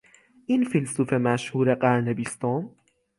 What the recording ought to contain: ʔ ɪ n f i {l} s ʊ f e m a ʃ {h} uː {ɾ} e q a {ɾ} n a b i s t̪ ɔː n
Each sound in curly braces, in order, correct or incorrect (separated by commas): correct, correct, correct, correct